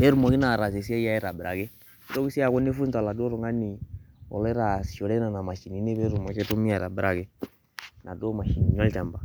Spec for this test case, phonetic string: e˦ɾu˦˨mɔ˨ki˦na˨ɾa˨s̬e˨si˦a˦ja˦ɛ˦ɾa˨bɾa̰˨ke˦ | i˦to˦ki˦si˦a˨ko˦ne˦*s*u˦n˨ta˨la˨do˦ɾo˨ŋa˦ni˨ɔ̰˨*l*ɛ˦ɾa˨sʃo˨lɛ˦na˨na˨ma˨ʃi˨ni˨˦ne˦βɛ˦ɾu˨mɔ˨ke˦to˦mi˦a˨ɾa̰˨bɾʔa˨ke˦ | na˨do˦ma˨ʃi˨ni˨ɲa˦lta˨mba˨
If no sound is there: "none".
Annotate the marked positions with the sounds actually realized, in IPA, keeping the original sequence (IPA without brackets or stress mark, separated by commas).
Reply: f, l